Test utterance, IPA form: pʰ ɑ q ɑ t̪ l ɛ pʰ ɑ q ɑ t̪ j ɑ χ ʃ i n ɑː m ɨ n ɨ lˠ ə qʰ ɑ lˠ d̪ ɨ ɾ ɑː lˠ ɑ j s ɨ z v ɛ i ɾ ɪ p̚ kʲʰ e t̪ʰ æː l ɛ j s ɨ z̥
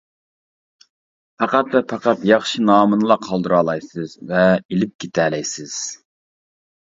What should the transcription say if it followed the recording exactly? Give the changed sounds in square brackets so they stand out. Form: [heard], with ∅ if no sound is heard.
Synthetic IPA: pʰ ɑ q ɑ t̪ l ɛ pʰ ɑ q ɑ t̪ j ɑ χ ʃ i n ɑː m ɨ n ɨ lˠ [ɑ] qʰ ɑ lˠ d̪ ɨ ɾ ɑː lˠ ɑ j s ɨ z v ɛ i [l] ɪ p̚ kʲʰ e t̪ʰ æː l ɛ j s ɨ z̥